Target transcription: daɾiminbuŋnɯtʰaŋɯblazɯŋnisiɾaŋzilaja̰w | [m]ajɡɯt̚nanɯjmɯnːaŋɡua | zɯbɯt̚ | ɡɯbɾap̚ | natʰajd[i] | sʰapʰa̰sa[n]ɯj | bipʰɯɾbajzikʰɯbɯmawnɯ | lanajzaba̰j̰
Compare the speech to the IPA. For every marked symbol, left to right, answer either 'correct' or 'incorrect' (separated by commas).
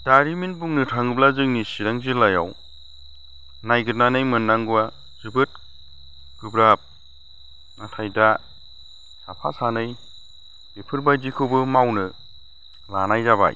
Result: incorrect, incorrect, correct